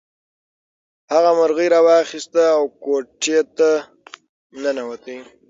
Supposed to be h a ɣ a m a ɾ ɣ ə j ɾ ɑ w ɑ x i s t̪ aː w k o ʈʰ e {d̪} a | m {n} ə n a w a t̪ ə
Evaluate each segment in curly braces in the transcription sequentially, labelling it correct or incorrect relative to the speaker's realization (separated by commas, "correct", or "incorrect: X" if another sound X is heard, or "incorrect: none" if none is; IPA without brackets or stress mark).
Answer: incorrect: t̪, correct